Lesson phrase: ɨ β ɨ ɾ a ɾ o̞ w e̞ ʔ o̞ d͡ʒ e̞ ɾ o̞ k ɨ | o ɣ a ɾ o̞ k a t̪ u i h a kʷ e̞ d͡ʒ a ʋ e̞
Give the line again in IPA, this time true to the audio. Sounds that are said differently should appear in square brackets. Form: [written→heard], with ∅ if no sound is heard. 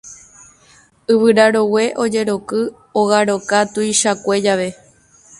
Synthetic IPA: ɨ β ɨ ɾ a ɾ o̞ w e̞ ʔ o̞ d͡ʒ e̞ ɾ o̞ k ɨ | o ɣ a ɾ o̞ k a t̪ u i [h→ʃ] a kʷ e̞ d͡ʒ a ʋ e̞